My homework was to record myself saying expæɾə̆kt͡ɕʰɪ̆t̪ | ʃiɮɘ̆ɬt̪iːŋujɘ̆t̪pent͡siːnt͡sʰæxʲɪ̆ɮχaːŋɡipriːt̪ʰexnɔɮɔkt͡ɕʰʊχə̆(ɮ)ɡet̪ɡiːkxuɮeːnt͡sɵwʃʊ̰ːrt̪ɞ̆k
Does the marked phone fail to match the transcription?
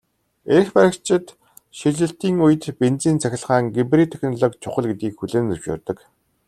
no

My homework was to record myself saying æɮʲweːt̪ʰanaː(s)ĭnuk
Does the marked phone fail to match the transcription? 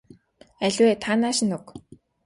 yes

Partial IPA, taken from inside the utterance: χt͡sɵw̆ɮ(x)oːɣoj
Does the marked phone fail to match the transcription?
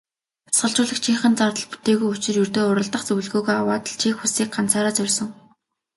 yes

